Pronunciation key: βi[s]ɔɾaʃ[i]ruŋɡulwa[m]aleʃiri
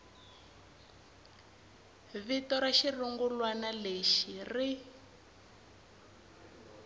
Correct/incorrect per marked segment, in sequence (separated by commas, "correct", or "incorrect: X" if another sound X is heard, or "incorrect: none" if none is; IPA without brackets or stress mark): incorrect: t, correct, incorrect: n